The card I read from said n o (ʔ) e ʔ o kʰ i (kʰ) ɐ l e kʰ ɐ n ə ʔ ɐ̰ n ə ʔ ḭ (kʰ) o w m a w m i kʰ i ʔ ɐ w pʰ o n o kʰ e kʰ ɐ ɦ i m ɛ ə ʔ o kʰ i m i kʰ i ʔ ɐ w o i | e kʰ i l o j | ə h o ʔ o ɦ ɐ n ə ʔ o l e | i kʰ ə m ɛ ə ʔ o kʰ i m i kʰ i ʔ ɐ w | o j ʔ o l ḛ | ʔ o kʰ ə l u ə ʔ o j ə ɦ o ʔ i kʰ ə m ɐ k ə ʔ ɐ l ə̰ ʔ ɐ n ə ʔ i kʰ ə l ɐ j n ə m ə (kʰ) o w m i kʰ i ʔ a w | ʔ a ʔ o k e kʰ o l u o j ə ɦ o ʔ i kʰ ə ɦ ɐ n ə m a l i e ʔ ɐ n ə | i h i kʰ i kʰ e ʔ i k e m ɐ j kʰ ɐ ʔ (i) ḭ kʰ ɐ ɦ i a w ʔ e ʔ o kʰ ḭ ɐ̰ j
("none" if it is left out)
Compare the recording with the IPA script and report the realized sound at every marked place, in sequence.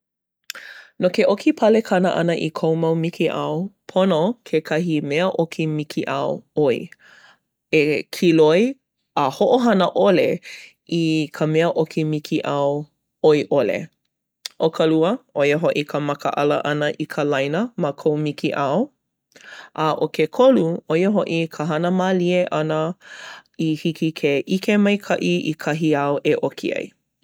k, pʰ, kʰ, kʰ, i

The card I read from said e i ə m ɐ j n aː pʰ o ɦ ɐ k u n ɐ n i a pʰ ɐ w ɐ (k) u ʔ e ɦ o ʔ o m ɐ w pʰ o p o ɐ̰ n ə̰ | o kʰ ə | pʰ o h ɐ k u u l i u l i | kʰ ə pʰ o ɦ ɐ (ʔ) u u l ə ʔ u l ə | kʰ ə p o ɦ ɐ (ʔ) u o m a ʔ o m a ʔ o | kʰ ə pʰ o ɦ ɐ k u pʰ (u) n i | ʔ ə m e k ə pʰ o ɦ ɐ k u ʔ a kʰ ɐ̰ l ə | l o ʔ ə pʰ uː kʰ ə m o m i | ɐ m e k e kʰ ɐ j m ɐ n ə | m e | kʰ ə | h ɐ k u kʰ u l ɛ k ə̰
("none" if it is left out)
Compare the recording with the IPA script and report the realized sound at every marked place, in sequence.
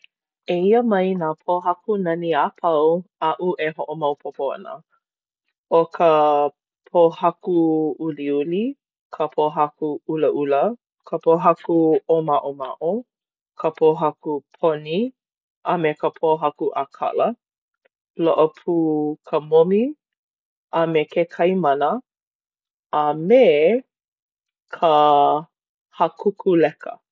ʔ, k, k, o

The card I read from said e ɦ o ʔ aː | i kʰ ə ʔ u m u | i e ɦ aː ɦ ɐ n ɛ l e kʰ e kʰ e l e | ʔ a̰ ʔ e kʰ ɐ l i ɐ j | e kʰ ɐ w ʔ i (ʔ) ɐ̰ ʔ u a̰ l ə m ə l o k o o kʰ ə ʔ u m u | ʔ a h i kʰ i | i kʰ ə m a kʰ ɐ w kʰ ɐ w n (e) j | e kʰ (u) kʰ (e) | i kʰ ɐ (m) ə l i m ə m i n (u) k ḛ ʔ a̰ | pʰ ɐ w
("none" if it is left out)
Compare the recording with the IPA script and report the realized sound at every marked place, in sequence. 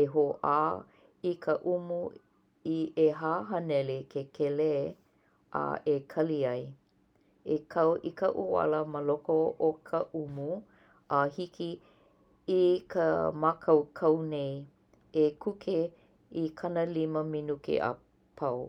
k, e, u, e, n, u

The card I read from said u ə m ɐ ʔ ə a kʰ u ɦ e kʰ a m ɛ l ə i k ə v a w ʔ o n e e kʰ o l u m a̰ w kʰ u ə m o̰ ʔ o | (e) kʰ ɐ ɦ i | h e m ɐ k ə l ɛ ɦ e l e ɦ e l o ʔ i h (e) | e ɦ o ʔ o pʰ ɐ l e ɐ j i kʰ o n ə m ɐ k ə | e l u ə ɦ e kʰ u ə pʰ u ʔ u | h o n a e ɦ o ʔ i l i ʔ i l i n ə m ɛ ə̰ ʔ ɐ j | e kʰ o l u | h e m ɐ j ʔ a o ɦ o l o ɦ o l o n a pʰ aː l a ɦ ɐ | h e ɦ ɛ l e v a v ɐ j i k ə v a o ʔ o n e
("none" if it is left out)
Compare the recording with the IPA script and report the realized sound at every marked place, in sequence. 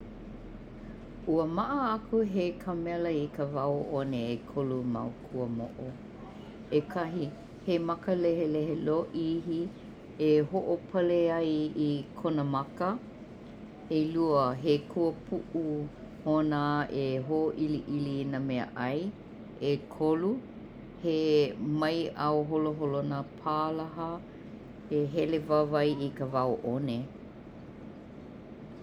e, i

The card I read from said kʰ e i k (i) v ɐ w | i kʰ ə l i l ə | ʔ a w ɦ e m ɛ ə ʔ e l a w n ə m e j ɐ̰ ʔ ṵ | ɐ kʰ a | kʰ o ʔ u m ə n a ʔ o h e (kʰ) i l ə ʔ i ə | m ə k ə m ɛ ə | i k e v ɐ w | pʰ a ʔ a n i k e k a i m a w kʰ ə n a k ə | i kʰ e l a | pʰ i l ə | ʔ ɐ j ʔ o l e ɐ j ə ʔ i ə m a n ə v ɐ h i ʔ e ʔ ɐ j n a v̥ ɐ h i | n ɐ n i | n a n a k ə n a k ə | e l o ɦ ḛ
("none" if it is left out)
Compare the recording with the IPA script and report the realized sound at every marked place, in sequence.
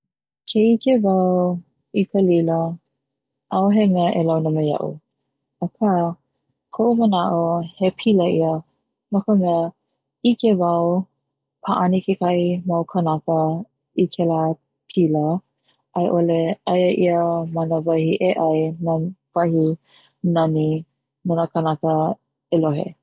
e, pʰ

